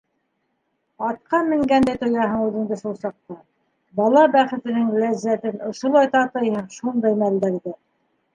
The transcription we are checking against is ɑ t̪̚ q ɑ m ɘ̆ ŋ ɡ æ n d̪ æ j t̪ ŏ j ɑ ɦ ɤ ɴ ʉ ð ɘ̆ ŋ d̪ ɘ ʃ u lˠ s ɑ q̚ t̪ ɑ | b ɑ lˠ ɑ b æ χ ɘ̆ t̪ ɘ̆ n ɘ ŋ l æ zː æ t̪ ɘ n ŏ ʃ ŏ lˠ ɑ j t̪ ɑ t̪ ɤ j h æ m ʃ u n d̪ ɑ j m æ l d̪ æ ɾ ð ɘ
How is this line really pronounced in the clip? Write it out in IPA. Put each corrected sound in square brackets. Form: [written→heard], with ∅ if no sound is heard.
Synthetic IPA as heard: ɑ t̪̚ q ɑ m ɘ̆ ŋ ɡ æ n d̪ æ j t̪ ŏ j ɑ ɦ ɤ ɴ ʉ ð ɘ̆ ŋ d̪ ɘ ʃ u lˠ s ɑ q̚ t̪ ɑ | b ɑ lˠ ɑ b æ χ ɘ̆ t̪ ɘ̆ n ɘ ŋ l æ zː æ t̪ ɘ n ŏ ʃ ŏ lˠ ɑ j t̪ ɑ t̪ ɤ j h æ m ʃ u n d̪ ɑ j m æ l d̪ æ ɾ ð ɘ